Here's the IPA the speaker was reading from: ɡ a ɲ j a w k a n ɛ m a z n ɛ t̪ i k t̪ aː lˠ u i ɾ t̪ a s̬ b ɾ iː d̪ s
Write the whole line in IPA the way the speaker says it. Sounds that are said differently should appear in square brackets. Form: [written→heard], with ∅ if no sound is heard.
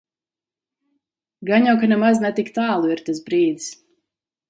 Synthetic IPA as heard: ɡ a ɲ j a w k a n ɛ m a z n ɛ t̪ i k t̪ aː lˠ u i ɾ t̪ a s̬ b ɾ iː d̪ s

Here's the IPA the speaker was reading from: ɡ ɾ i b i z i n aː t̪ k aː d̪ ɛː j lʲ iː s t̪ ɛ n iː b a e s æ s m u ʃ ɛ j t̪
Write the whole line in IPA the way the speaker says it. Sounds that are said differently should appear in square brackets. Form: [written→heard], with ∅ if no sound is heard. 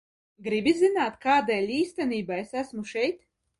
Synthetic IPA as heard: ɡ ɾ i b i z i n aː t̪ k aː d̪ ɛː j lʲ iː s t̪ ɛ n iː b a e s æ s m u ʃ ɛ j t̪

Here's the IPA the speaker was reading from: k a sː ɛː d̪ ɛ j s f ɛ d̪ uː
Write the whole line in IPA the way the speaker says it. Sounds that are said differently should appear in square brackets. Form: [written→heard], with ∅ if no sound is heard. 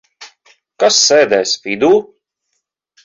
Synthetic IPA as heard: k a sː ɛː d̪ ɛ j s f [ɛ→i] d̪ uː

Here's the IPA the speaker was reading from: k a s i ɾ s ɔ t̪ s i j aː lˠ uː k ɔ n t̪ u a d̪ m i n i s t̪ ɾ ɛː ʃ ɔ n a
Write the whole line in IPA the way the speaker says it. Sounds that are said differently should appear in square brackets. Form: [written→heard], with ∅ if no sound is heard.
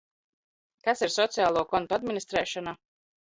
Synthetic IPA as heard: k a s i ɾ s ɔ t̪ s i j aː lˠ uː k ɔ n t̪ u a d̪ m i n i s t̪ ɾ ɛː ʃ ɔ n a

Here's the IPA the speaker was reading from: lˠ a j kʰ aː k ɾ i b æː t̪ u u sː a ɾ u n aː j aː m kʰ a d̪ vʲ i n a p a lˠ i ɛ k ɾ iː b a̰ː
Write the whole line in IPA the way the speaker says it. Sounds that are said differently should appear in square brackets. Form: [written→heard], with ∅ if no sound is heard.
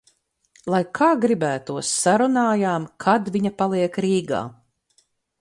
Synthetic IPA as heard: lˠ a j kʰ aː [k→ɡ] ɾ i b æː t̪ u [u→ɔ] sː a ɾ u n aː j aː m kʰ a d̪ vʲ i [n→ɲ] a p a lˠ i ɛ k ɾ iː [b→ɡ] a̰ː

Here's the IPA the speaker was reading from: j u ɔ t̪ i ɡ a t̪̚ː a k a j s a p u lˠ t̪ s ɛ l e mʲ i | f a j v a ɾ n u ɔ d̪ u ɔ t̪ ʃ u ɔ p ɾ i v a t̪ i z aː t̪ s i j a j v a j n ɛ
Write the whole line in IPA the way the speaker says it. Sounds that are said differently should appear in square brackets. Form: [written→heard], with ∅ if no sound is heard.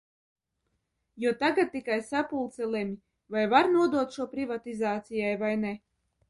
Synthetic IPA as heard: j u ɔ t̪ [i→a] ɡ a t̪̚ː [a→i] k a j s a p u lˠ t̪ s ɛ l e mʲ i | [f→v] a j v a ɾ n u ɔ d̪ u ɔ t̪ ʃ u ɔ p ɾ i v a t̪ i z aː t̪ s i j a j v a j n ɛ

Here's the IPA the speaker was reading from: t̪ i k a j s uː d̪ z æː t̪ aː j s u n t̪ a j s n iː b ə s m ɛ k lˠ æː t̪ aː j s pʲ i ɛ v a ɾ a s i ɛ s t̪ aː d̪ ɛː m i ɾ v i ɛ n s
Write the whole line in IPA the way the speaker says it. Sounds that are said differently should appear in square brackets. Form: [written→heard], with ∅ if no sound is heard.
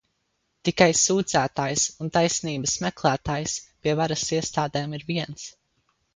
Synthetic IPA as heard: t̪ i k a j s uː d̪ z æː t̪ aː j s u n t̪ a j s n iː b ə s m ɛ k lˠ æː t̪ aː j s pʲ i ɛ v a ɾ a s i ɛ s t̪ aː d̪ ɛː m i ɾ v i ɛ n s

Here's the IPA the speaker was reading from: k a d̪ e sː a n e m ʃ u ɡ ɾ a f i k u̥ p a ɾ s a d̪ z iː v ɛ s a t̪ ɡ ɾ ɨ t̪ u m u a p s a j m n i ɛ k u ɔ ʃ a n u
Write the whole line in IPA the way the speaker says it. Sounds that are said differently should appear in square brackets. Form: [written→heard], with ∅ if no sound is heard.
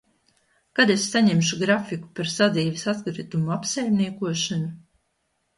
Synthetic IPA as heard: k a d̪ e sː a [n→ɲ] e m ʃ u ɡ ɾ a f i k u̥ p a ɾ s a d̪ z iː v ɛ s a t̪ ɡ ɾ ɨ t̪ u m u a p s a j m n i ɛ k u ɔ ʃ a n u

